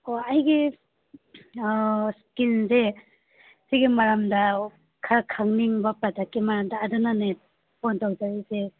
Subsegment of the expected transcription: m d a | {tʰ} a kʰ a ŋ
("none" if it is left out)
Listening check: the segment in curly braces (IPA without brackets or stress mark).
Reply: kʰ